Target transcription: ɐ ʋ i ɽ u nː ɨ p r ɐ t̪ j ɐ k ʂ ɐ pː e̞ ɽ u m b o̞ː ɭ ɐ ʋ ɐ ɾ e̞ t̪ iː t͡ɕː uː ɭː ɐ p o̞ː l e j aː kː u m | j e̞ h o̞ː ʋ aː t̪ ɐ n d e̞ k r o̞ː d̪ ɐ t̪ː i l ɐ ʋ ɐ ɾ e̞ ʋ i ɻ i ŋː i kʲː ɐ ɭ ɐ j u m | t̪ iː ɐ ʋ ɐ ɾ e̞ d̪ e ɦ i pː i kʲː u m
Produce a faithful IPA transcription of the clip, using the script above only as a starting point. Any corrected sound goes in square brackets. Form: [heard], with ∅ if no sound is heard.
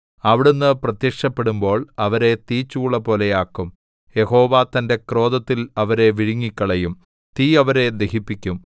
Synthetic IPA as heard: ɐ ʋ i ɽ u nː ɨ p r ɐ t̪ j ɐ k ʂ ɐ pː e̞ ɽ u m b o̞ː ɭ ɐ ʋ ɐ ɾ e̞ t̪ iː t͡ɕː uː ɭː ɐ p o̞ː l e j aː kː u m | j e̞ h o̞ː ʋ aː t̪ ɐ n d e̞ k r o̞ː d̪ ɐ t̪ː i l ɐ ʋ ɐ ɾ e̞ ʋ i ɻ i ŋː i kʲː ɐ ɭ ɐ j u m | t̪ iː ɐ ʋ ɐ ɾ e̞ d̪ e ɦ i pː i kʲː u m